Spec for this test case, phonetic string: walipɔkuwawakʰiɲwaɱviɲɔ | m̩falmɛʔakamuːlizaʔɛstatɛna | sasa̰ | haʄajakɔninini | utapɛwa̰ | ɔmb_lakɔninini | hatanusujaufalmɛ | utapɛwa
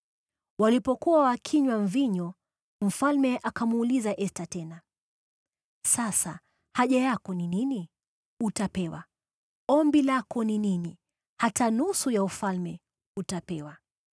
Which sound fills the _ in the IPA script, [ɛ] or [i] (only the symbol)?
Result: i